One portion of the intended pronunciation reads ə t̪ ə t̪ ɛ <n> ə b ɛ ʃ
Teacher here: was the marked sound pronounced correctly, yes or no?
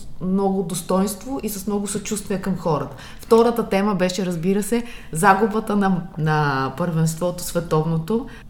no